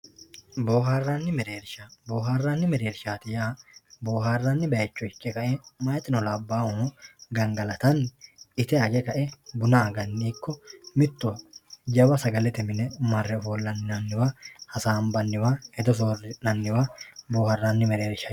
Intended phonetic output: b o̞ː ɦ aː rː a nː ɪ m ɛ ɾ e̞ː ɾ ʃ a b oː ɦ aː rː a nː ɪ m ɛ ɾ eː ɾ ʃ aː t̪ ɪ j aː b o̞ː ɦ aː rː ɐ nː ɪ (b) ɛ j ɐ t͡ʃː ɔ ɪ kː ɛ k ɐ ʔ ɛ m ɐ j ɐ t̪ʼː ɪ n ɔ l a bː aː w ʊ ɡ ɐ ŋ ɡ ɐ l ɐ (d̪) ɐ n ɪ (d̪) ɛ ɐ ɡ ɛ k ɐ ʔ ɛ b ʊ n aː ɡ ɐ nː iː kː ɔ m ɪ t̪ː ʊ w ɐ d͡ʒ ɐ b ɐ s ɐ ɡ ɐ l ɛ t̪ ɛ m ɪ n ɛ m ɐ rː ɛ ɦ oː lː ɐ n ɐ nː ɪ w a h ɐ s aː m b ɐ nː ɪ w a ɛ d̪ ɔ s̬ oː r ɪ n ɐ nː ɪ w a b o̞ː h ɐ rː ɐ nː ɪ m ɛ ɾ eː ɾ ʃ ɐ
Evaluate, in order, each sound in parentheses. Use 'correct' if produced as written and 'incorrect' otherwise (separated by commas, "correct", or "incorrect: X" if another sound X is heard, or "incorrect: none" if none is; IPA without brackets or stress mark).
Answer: correct, incorrect: t̪, incorrect: t̪